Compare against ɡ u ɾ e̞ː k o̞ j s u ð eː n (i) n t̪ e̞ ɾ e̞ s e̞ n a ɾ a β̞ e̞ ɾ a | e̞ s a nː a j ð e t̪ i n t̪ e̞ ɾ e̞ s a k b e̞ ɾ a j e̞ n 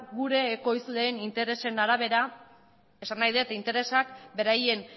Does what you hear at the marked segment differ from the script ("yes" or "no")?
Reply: no